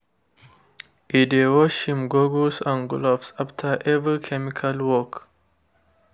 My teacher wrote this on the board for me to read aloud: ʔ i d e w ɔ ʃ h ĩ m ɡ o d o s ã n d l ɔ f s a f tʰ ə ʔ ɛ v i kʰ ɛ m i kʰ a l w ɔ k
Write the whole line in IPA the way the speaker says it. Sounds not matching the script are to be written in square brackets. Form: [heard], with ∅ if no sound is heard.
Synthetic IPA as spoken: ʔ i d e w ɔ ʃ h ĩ m ɡ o [ɡ] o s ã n [ɡ] l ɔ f s a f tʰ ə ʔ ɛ v i kʰ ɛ m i kʰ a l w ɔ k

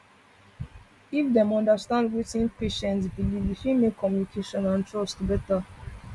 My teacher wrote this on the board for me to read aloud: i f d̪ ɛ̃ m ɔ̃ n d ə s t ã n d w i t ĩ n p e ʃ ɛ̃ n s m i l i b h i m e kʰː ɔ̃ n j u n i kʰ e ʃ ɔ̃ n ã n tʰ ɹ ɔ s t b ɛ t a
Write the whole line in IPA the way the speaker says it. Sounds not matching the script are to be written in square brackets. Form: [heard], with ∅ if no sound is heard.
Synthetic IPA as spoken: i f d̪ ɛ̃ m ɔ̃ n d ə s t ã n d w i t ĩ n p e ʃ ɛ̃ n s [b] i l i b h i m e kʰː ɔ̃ [m] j u n i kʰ e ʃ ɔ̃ n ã n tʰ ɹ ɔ s t b ɛ t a

